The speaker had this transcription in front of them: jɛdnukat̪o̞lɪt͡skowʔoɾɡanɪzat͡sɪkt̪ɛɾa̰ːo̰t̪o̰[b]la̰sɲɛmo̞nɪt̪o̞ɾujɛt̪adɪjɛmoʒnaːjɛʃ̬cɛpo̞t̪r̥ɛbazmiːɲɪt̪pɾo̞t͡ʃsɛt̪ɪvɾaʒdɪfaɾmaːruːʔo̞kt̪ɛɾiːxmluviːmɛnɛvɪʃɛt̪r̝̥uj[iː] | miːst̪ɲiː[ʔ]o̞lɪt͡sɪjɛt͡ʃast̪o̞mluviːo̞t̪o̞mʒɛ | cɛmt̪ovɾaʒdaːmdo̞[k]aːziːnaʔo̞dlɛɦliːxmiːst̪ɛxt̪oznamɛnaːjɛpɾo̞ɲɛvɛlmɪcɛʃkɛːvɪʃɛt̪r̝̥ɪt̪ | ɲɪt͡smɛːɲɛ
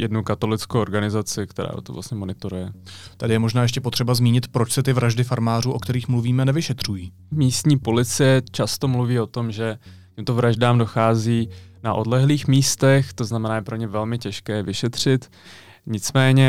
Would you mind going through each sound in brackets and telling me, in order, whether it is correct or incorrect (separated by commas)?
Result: incorrect, correct, incorrect, incorrect